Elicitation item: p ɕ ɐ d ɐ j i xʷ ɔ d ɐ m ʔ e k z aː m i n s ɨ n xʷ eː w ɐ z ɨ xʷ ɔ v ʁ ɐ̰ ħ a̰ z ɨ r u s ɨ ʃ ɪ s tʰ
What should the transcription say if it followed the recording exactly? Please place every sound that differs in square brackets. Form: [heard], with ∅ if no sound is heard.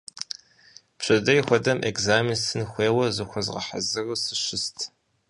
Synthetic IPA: p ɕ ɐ d ɐ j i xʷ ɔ d ɐ m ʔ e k z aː m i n s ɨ n xʷ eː w ɐ z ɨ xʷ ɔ [z] ʁ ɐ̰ ħ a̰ z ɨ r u s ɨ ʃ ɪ s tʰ